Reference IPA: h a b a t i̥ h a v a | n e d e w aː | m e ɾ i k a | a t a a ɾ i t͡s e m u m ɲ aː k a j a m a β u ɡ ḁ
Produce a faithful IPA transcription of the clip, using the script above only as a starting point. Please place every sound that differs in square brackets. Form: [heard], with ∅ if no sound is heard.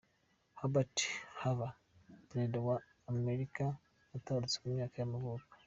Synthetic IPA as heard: h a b a t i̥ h a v a | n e d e w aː | m e ɾ i k a | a t a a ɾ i t͡s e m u m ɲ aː k a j a m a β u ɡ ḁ